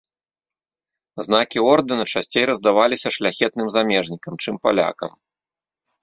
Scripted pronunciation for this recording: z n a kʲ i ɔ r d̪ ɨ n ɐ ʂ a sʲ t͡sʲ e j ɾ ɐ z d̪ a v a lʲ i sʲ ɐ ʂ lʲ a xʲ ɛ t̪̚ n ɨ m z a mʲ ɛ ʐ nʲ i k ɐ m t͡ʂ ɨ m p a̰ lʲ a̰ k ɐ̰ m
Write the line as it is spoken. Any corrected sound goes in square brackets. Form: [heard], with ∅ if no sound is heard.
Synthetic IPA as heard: z n a kʲ i ɔ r d̪ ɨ n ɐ [t͡ʂ] a sʲ t͡sʲ e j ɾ ɐ z d̪ a v a lʲ i sʲ ɐ ʂ lʲ a xʲ ɛ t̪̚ n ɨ m z a mʲ ɛ ʐ nʲ i k ɐ m t͡ʂ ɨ m p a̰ lʲ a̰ k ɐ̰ m